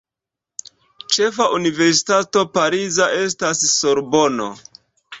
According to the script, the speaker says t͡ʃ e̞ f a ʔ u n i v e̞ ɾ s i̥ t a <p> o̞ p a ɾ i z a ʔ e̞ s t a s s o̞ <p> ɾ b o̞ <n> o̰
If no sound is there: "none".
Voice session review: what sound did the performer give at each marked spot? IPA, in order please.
t, none, n

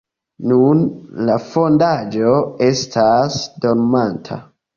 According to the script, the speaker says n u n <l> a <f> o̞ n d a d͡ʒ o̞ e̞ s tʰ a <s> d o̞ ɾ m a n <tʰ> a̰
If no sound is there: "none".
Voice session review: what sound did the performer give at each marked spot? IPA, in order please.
l, f, s, tʰ

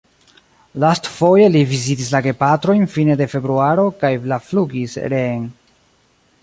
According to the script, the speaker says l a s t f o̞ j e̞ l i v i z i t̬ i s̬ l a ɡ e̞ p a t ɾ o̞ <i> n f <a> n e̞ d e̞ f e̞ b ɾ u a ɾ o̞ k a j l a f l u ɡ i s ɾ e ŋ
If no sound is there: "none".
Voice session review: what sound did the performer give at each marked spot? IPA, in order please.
j, i

